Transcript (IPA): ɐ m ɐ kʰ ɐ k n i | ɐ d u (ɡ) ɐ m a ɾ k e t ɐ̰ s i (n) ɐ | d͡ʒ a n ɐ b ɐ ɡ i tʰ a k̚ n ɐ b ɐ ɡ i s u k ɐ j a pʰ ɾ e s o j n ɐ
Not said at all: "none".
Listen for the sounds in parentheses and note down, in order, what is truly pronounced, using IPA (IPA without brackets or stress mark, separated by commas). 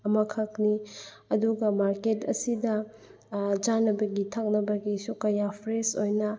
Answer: ɡ, d